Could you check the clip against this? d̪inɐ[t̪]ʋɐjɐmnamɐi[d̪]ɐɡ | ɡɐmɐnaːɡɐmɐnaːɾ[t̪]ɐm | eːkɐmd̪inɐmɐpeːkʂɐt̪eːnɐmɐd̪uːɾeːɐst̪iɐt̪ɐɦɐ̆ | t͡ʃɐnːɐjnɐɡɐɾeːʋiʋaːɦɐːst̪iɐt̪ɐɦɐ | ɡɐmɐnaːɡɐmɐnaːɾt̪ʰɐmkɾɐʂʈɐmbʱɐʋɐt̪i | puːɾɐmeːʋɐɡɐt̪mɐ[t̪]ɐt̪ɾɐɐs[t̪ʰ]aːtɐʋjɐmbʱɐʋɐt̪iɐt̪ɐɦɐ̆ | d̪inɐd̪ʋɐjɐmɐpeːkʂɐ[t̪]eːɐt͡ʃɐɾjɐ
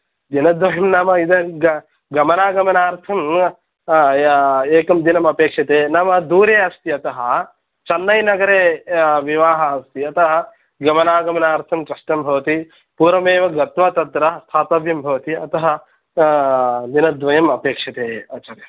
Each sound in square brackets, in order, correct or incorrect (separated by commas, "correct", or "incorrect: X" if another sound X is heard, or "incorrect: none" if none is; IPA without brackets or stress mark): incorrect: d̪, correct, incorrect: t̪ʰ, correct, correct, correct